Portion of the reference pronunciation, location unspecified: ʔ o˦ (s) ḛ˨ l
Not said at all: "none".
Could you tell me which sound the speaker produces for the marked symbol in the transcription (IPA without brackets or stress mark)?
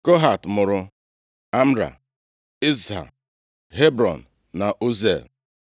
z